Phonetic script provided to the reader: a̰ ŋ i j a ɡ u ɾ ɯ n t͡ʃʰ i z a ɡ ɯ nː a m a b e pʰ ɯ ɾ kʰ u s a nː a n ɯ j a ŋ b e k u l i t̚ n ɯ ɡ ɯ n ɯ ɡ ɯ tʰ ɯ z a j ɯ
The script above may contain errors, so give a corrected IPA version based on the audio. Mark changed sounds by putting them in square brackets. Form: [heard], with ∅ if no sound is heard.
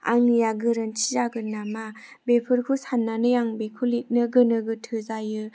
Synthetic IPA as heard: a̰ ŋ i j a ɡ [ɯ] ɾ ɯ n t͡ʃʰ i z a ɡ ɯ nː a m a b e pʰ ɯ ɾ kʰ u s a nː a n ɯ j a ŋ b e [kʰ] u l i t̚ n ɯ ɡ ɯ n ɯ ɡ ɯ tʰ ɯ z a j ɯ